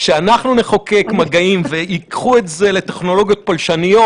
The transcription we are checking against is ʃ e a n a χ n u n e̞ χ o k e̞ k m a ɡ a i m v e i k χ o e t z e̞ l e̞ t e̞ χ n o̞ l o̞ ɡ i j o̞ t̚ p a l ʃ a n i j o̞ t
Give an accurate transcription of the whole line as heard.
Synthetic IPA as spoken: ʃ e a n a χ n u n e̞ χ o k e̞ k m a ɡ a i m v e i k χ u e t z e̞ l e̞ t e̞ χ n o̞ l o̞ ɡ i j o̞ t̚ p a l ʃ a n i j o̞ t